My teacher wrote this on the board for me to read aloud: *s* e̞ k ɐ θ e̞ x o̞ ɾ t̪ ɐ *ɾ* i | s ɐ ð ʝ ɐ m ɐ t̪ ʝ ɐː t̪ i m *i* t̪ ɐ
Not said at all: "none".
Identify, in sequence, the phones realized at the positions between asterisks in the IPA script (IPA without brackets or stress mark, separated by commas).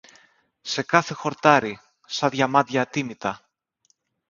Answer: s, ɾ, i